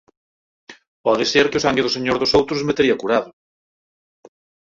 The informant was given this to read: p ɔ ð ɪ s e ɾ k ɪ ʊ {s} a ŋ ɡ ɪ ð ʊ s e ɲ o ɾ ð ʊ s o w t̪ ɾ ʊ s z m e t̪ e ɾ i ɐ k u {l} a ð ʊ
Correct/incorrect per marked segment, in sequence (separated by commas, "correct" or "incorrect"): correct, incorrect